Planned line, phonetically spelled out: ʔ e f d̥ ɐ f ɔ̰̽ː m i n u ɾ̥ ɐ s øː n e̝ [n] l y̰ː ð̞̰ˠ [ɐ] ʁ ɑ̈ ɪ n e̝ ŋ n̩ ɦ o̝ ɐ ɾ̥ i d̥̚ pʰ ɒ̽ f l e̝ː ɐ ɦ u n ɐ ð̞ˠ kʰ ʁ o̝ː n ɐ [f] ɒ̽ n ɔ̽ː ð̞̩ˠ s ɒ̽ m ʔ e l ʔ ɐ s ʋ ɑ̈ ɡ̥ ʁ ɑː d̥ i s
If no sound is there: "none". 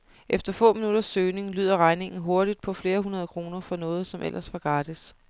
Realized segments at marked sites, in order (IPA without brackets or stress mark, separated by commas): ŋ, ɐ, f